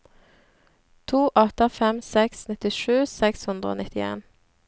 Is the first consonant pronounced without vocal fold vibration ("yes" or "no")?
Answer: yes